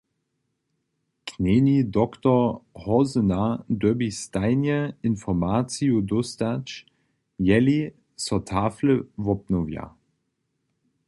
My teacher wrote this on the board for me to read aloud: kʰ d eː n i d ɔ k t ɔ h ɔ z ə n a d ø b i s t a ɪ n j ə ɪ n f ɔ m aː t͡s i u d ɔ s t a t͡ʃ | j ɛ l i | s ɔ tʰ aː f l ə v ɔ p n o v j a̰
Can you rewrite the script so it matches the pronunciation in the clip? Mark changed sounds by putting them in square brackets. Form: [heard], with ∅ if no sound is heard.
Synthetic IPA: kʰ [n] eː n i d ɔ k t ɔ h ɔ z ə n a d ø b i s t a ɪ n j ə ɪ n f ɔ m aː t͡s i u d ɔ s t a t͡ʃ | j ɛ l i | s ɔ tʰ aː f l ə v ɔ p n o v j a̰